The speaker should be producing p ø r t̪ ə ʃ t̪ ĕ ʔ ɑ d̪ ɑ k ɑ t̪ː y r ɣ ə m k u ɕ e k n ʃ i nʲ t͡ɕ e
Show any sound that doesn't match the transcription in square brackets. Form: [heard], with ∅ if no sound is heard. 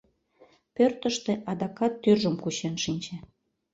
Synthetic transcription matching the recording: p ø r t̪ ə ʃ t̪ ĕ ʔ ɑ d̪ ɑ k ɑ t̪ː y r [ʒ] ə m k u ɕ e [∅] n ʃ i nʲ t͡ɕ e